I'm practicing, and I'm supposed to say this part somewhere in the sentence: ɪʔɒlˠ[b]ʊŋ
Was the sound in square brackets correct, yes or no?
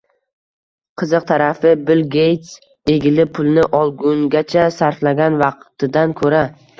no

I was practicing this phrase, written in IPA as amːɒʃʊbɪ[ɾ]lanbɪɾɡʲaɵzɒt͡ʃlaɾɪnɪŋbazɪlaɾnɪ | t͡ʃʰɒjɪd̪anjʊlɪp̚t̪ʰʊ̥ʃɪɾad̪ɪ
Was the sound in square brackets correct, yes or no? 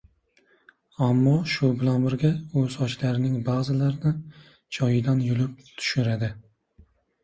no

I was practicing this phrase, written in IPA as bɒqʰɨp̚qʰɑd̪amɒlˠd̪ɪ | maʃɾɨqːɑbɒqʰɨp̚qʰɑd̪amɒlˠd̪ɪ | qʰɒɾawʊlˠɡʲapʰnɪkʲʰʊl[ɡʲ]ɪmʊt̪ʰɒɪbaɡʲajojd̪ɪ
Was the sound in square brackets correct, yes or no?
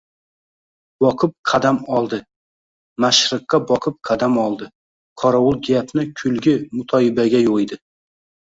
yes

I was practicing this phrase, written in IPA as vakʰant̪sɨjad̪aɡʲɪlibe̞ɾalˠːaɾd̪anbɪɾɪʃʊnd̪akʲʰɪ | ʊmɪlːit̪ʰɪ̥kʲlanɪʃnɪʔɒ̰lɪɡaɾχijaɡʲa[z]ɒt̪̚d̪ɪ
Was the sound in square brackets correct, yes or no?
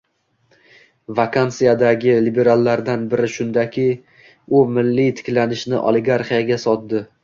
no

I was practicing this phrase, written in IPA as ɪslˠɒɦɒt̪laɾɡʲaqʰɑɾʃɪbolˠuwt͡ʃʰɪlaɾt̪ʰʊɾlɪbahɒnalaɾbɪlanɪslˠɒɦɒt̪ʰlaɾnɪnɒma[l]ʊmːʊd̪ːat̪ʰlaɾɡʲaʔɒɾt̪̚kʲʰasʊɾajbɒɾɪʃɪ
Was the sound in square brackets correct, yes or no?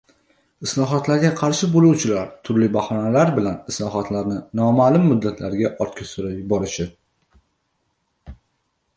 yes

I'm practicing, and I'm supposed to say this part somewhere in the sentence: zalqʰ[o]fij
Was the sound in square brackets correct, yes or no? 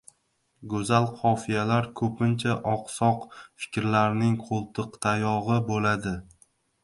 no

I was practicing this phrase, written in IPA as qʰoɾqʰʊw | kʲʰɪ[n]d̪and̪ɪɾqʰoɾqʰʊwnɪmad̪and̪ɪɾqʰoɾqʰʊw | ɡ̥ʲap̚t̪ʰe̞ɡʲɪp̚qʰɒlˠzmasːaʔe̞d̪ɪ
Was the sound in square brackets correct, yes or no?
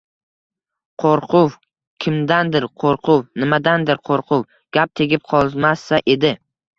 no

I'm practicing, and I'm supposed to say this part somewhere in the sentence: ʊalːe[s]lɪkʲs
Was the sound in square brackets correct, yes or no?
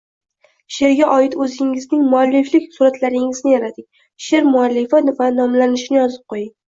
no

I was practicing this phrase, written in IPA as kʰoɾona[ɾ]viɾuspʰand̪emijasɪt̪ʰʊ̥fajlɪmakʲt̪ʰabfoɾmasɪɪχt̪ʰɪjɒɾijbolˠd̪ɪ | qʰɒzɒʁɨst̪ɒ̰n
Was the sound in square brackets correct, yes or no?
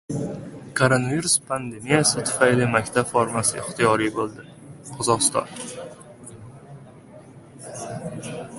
no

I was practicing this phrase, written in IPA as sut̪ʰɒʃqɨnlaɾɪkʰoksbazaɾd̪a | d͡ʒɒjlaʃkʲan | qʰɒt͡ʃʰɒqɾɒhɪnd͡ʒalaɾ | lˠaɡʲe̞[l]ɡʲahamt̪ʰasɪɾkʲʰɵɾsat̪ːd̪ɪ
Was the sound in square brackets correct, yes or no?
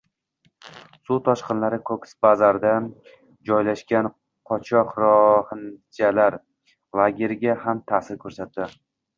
no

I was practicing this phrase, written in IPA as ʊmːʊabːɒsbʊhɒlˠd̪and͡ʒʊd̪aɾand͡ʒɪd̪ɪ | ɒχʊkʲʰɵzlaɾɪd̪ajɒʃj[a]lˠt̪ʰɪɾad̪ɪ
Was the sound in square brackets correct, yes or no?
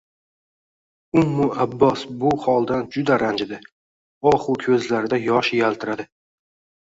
yes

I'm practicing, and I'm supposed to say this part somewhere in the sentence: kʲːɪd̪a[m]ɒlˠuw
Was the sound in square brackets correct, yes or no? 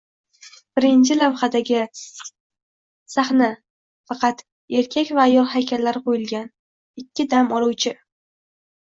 yes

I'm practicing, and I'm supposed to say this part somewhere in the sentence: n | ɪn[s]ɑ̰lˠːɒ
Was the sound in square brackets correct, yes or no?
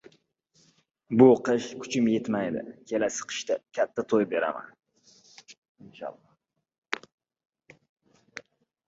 no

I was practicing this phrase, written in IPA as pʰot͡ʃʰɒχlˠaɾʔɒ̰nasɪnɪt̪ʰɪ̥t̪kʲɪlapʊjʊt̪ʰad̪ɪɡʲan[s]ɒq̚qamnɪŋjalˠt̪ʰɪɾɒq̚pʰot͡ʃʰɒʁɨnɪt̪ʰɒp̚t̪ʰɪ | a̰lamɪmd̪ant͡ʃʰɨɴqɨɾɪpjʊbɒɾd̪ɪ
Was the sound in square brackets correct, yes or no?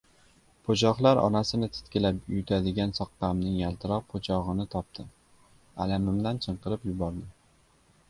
yes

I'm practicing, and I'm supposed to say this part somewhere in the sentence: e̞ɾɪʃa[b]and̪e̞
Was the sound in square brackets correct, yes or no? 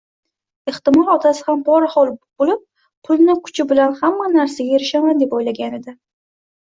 no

